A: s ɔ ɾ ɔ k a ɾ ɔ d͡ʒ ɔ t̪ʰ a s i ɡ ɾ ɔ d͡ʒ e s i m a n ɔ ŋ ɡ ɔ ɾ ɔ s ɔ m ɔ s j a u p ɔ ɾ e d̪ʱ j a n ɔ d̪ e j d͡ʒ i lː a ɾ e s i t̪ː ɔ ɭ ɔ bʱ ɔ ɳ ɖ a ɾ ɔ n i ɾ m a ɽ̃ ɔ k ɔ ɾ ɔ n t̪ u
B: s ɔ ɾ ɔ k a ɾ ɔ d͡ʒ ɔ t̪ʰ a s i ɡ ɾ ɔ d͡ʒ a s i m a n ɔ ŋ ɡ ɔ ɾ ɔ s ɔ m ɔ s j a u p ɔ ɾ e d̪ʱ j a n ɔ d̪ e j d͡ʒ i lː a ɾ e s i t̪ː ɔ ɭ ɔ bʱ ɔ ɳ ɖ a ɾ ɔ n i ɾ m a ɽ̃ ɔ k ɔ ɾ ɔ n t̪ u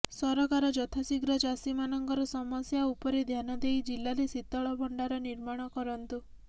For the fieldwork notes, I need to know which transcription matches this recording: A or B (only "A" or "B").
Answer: B